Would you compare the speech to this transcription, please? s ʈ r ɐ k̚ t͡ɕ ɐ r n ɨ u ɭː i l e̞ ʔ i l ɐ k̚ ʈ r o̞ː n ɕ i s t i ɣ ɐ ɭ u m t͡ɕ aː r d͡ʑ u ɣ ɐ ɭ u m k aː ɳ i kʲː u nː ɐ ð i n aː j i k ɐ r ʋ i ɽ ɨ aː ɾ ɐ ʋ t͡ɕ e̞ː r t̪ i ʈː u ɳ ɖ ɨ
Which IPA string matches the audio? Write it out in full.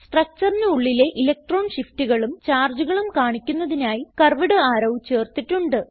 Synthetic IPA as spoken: s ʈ r ɐ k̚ t͡ɕ ɐ r n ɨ u ɭː i l e̞ ʔ i l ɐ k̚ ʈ r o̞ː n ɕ i f t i ɣ ɐ ɭ u m t͡ɕ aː r d͡ʑ u ɣ ɐ ɭ u m k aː ɳ i kʲː u nː ɐ ð i n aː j i k ɐ r ʋ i ɽ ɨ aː ɾ ɐ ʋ t͡ɕ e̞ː r t̪ i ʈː u ɳ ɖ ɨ